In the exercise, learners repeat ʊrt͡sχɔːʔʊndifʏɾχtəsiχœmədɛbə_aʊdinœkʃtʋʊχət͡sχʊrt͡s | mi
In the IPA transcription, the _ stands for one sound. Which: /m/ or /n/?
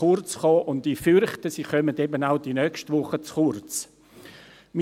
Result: n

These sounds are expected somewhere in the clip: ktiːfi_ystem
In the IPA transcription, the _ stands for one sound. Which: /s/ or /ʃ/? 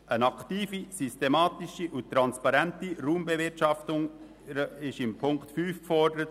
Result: s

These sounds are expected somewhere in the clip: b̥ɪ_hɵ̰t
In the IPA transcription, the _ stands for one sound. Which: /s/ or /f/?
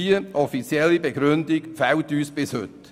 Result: s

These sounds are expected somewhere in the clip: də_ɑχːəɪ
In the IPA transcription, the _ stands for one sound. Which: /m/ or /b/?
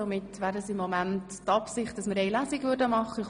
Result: m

